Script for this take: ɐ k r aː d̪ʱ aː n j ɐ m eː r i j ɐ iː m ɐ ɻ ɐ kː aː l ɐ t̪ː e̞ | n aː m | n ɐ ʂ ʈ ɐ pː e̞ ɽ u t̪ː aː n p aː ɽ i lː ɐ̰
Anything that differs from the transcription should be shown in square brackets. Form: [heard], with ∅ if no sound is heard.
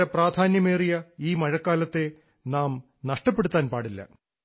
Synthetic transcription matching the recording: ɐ [p] r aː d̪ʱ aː n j ɐ m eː r i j ɐ iː m ɐ ɻ ɐ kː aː l ɐ t̪ː e̞ | n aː m | n ɐ ʂ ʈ ɐ pː e̞ ɽ u t̪ː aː n p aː ɽ i lː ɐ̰